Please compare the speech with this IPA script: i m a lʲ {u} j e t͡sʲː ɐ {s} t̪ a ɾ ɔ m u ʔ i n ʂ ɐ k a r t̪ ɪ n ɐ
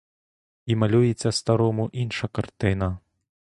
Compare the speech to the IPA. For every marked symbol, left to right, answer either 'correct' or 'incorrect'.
correct, correct

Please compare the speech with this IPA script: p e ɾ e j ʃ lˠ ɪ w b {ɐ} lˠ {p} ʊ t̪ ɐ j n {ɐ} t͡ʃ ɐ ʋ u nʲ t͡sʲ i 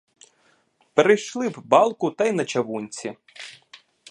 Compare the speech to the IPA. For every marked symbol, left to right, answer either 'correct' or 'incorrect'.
incorrect, incorrect, correct

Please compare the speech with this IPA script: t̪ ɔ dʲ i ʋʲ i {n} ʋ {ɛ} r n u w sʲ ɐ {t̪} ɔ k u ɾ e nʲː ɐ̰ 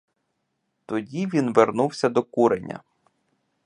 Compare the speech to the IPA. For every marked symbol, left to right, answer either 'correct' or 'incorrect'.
correct, incorrect, incorrect

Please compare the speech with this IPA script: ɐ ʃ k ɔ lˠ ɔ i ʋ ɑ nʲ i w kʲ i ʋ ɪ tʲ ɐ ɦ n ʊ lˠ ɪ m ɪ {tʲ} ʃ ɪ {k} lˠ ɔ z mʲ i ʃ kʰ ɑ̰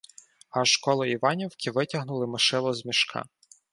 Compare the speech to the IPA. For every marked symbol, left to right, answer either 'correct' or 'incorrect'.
incorrect, incorrect

